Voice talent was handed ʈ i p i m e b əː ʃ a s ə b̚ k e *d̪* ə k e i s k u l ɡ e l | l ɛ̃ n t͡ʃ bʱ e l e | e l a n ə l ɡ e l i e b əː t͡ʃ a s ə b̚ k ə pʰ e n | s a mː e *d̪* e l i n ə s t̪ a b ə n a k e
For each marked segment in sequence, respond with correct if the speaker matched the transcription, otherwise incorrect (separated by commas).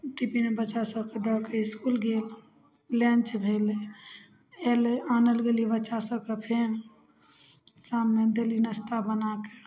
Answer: correct, correct